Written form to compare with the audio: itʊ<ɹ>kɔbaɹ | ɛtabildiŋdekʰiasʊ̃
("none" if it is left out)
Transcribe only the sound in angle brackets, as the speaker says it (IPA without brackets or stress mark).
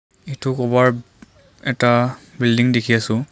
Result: none